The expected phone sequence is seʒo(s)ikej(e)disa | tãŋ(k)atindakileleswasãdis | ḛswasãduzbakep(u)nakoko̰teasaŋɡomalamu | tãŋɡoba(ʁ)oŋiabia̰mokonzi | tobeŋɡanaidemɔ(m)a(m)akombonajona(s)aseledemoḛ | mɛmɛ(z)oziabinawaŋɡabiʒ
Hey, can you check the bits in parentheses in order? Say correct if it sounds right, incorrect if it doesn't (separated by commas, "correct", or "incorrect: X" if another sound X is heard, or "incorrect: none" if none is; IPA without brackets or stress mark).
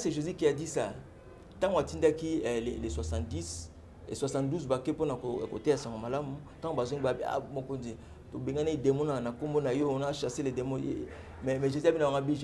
incorrect: z, incorrect: a, incorrect: ɡ, incorrect: o, incorrect: z, incorrect: n, incorrect: n, incorrect: ʃ, incorrect: ʒ